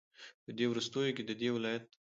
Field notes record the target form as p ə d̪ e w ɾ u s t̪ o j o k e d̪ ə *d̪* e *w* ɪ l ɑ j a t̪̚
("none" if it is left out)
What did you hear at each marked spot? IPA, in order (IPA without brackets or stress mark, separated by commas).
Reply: d̪, w